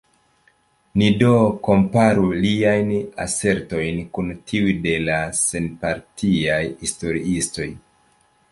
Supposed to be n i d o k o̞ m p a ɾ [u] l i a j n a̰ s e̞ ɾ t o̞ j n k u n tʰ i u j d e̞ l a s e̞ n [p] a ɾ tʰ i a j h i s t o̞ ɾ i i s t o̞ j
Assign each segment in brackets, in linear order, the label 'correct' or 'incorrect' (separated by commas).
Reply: correct, correct